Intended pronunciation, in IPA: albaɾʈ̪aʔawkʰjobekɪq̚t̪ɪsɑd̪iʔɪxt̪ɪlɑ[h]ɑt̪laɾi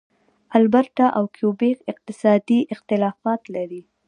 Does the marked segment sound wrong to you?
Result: yes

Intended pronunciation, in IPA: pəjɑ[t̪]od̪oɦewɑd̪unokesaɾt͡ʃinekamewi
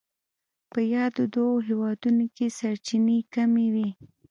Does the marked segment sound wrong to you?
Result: yes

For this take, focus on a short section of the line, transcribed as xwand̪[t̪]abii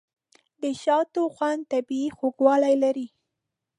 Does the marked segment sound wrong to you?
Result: no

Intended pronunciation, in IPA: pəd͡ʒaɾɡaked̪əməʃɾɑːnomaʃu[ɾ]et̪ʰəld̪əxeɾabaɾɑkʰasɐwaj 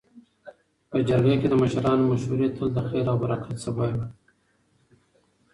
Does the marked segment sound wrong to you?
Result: no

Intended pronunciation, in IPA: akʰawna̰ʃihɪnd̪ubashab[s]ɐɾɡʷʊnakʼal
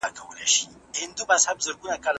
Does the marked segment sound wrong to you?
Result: yes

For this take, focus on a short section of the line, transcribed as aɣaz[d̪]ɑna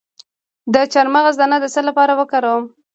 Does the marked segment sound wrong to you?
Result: no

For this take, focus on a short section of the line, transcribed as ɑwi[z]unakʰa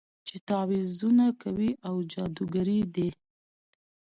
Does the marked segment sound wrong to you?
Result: no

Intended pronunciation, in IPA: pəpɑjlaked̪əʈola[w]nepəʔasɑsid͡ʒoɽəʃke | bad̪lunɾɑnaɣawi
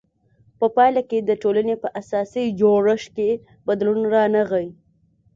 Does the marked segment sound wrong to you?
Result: yes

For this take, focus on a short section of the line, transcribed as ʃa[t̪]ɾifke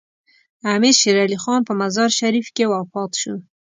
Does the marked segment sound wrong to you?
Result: yes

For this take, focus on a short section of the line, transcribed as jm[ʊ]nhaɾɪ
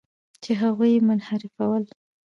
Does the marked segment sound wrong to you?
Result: no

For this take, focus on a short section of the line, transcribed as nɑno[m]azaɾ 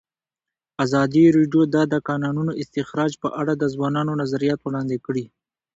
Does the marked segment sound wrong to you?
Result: yes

